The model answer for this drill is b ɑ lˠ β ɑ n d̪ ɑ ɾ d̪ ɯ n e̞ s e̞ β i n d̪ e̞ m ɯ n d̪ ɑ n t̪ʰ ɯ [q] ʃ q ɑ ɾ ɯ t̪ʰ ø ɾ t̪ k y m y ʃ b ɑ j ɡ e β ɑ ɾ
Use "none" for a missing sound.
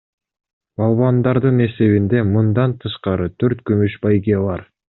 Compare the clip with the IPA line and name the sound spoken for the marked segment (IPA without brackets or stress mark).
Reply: none